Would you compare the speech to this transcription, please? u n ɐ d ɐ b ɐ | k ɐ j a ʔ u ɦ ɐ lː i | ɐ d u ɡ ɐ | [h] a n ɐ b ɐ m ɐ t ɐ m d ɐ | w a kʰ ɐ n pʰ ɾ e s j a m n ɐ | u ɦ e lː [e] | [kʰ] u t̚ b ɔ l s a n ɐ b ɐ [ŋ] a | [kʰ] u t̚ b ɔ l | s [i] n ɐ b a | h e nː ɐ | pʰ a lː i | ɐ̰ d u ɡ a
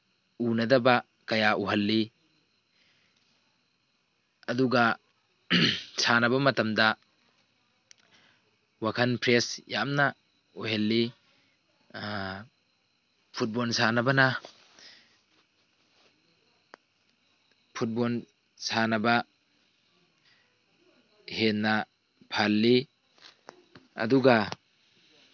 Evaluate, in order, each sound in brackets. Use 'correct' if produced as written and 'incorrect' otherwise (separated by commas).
incorrect, incorrect, incorrect, incorrect, incorrect, incorrect